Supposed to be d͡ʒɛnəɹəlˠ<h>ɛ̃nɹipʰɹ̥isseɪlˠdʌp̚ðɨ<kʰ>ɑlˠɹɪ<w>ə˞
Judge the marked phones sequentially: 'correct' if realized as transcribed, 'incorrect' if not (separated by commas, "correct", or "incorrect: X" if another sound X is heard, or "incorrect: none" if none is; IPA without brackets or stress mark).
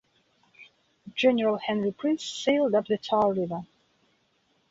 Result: correct, incorrect: tʰ, incorrect: v